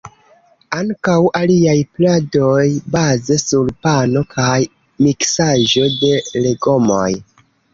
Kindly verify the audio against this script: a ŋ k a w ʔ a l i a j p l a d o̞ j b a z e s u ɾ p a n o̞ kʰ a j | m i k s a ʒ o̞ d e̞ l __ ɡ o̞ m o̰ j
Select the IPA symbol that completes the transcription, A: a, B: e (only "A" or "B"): B